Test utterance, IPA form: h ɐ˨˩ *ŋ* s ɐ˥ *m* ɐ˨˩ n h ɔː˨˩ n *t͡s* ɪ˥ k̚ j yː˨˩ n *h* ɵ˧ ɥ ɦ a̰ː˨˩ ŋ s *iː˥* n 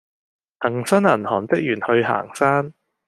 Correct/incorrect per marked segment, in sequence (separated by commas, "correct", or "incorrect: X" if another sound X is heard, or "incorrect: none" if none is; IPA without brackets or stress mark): correct, incorrect: n, correct, correct, incorrect: aː˥